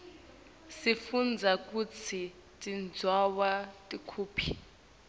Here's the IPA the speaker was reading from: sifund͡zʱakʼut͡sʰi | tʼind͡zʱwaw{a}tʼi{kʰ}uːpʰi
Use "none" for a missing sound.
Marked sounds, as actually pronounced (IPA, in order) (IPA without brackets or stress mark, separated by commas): a, kʰ